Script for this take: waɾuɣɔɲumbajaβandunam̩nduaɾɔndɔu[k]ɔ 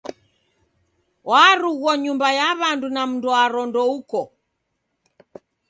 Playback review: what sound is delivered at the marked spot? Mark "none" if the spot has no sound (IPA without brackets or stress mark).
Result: k